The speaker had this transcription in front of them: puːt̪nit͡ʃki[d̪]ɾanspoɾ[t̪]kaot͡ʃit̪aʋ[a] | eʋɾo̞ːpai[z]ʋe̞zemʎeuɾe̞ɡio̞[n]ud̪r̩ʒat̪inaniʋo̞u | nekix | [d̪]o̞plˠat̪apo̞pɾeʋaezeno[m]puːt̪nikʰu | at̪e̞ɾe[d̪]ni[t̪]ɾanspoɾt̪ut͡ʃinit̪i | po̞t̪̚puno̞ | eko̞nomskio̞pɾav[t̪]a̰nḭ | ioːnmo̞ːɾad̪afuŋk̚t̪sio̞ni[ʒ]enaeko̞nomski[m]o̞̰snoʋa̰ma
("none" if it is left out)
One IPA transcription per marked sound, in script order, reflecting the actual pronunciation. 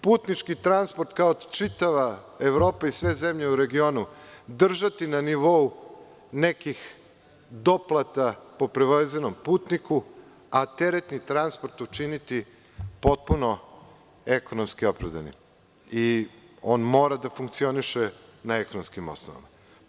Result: t̪, t̪, a, s, n, d̪, m, t̪, t̪, d̪, ʃ, m

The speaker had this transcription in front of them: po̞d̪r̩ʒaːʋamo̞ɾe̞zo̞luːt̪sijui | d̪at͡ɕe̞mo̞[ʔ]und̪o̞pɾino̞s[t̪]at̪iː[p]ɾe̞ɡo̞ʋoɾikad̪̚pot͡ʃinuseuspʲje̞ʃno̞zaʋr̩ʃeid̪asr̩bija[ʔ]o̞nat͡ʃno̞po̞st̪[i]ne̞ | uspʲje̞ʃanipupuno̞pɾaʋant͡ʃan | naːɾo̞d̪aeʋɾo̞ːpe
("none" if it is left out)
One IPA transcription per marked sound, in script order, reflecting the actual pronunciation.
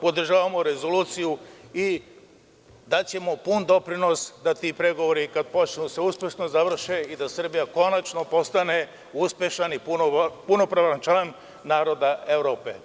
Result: p, d̪, p, k, a

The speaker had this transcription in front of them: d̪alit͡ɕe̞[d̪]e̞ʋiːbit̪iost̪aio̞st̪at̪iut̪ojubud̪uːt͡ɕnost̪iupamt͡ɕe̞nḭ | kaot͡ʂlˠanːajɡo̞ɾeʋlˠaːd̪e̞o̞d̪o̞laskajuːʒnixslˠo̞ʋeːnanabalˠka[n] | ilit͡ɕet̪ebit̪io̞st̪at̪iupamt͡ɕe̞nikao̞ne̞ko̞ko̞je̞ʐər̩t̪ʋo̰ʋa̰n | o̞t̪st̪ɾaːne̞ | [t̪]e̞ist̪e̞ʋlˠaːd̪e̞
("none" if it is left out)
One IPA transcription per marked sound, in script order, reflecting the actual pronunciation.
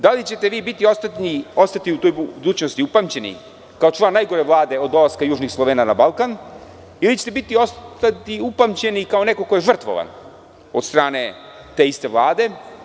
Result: t̪, n, t̪

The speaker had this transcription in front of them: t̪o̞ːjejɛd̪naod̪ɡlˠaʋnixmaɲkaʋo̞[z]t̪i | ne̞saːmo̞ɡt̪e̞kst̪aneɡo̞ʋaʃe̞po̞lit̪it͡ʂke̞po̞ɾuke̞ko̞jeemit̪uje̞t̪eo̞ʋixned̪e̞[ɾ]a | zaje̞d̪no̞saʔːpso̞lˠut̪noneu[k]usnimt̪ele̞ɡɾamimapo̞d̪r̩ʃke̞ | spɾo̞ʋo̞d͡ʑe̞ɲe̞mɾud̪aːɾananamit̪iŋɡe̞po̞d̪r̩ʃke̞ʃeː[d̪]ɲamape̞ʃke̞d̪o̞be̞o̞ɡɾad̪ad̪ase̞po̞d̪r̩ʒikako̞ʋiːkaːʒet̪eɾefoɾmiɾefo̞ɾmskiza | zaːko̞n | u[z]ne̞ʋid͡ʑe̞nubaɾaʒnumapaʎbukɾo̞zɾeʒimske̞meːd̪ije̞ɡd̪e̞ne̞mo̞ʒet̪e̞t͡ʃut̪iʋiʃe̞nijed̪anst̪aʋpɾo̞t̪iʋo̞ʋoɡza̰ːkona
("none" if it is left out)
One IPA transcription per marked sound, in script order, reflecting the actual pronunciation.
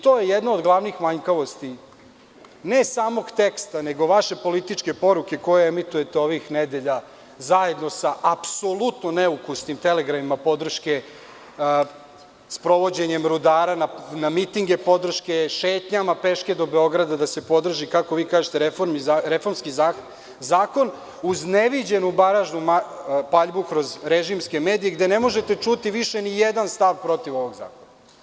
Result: s, ʎ, k, t̪, z

